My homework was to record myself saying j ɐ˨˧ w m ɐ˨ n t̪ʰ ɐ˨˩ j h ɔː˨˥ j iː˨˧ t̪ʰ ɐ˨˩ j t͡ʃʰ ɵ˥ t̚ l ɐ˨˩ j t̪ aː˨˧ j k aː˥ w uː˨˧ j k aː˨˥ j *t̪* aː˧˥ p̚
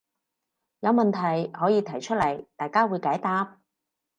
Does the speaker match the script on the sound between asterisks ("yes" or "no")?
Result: yes